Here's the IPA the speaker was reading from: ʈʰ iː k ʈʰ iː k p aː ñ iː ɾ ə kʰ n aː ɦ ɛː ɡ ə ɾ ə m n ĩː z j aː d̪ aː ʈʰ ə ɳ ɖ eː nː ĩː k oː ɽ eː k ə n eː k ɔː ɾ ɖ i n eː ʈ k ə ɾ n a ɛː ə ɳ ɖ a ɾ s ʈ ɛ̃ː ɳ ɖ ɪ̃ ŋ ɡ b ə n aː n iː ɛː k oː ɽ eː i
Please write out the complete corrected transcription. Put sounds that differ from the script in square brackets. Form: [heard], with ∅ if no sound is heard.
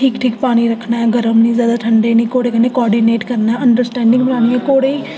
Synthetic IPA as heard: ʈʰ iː k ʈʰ iː k p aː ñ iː ɾ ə kʰ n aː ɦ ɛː ɡ ə ɾ ə m n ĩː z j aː d̪ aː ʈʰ ə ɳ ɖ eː [n] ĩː k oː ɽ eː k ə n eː k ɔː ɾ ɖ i n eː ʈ k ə ɾ n a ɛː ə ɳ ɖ [ə] ɾ s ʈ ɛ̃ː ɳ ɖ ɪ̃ ŋ ɡ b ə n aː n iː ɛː k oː ɽ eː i